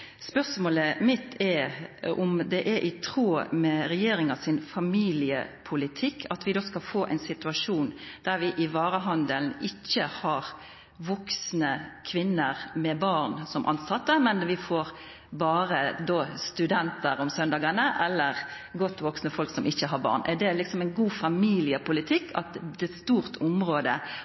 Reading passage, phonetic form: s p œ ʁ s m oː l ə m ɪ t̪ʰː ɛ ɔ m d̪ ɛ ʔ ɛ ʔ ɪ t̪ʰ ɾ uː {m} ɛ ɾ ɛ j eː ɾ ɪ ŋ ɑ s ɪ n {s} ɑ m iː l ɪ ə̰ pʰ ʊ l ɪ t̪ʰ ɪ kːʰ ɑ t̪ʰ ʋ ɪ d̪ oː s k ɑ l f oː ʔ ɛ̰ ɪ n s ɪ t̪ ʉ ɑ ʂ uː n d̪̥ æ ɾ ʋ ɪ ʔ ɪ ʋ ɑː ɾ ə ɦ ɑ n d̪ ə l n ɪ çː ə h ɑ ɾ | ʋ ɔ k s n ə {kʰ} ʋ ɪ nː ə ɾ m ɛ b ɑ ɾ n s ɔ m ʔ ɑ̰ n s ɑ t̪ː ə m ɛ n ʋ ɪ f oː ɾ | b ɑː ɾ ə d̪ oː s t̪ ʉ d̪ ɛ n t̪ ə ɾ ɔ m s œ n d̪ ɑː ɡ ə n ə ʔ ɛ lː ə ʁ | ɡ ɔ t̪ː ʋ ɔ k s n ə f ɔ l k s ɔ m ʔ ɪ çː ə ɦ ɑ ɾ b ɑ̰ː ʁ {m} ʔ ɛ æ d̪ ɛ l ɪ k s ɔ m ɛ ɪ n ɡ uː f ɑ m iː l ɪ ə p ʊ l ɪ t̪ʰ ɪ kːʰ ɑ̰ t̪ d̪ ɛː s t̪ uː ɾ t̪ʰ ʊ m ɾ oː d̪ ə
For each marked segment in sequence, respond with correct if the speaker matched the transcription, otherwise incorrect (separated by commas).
correct, incorrect, correct, incorrect